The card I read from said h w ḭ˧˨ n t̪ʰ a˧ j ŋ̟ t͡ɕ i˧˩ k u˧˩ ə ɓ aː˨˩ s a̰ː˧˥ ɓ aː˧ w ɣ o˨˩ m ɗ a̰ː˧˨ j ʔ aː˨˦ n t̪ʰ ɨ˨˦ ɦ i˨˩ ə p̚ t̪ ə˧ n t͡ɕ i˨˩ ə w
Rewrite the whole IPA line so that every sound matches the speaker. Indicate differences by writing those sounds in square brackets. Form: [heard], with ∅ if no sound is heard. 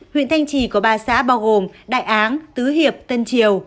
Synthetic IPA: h w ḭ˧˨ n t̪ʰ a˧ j ŋ̟ t͡ɕ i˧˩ k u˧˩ ə ɓ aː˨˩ s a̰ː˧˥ ɓ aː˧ w ɣ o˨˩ m ɗ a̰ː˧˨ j ʔ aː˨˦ n [t̪] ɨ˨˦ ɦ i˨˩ ə p̚ t̪ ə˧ n t͡ɕ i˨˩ ə w